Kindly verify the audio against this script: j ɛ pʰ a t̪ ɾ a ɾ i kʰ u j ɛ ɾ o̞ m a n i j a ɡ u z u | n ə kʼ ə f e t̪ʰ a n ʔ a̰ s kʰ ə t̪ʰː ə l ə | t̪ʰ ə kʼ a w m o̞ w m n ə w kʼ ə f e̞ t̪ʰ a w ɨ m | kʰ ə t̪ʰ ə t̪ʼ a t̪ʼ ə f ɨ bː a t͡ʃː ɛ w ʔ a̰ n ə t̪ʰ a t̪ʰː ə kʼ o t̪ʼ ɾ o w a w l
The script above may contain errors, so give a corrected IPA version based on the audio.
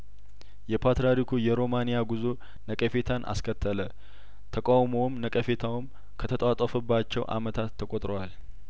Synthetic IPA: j ɛ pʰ a t̪ ɾ a ɾ i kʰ u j ɛ ɾ o̞ m a n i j a ɡ u z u | n ə kʼ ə f e t̪ʰ a n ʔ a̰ s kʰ ə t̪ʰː ə l ə | t̪ʰ ə kʼ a w m o̞ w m n ə kʼ ə f e̞ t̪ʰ a w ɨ m | kʰ ə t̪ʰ ə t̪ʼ a t̪ʼ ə f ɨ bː a t͡ʃː ɛ w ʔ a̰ m ə t̪ʰ a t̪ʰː ə kʼ o t̪ʼ ɾ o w a l

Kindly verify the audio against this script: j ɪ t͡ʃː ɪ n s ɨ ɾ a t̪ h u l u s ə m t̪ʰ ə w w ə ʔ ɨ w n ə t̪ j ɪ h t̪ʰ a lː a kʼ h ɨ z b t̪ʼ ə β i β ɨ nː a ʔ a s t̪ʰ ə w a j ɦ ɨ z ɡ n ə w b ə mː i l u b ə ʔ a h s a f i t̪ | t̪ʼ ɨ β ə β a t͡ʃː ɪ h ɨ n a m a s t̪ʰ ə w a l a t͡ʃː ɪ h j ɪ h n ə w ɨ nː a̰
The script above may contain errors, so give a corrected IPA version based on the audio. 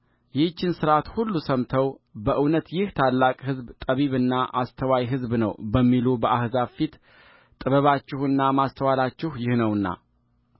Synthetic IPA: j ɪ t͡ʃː ɪ n s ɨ ɾ a t̪ h u lː u s ə m t̪ʰ ə w b ə ʔ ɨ w n ə t̪ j ɪ h t̪ʰ a lː a kʼ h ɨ z b t̪ʼ ə β i β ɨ nː a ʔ a s t̪ʰ ə w a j ɦ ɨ z b n ə w b ə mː i l u b ə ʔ a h z a f i t̪ | t̪ʼ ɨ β ə β a t͡ʃː ɪ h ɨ nː a m a s t̪ʰ ə w a l a t͡ʃː ɪ h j ɪ h n ə w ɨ nː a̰

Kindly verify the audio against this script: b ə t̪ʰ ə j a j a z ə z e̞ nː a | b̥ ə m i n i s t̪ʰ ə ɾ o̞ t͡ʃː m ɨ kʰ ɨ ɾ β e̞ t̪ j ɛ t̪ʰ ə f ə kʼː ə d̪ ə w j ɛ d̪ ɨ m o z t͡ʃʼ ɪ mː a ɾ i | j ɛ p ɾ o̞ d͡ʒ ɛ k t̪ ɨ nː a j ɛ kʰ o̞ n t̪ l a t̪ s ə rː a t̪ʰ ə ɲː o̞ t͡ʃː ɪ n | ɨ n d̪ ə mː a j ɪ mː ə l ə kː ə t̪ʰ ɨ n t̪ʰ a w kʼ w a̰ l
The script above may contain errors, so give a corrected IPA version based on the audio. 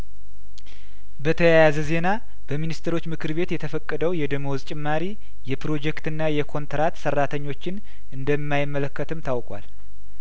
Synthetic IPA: b ə t̪ʰ ə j a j a z ə z e̞ n a | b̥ ə m i n i s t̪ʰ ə ɾ o̞ t͡ʃː m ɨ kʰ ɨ ɾ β e̞ t̪ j ɛ t̪ʰ ə f ə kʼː ə d̪ ə w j ɛ d̪ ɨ m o z t͡ʃʼ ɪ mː a ɾ i | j ɛ p ɾ o̞ d͡ʒ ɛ k t̪ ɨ nː a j ɛ kʰ o̞ n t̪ ɾ a t̪ s ə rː a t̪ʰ ə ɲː o̞ t͡ʃː ɪ n | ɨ n d̪ ə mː a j ɪ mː ə l ə kː ə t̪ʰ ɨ m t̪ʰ a w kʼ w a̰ l

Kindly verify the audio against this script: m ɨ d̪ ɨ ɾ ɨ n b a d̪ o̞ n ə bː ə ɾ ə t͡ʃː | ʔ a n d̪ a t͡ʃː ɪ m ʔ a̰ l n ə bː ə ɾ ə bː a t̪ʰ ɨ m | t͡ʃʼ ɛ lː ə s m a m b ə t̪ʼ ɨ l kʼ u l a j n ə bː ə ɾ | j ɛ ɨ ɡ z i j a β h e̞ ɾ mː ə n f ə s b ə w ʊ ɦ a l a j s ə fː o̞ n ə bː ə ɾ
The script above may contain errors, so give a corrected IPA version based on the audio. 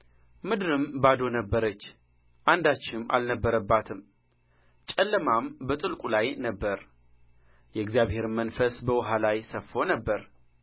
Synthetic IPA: m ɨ d̪ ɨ ɾ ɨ m b a d̪ o̞ n ə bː ə ɾ ə t͡ʃː | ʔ a n d̪ a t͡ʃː ɪ m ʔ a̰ l n ə bː ə ɾ ə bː a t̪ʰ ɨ m | t͡ʃʼ ɛ lː ə m a m b ə t̪ʼ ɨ l kʼ u l a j n ə bː ə ɾ | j ɛ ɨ ɡ z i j a β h e̞ ɾ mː ə n f ə s b ə w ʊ ɦ a l a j s ə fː o̞ n ə bː ə ɾ

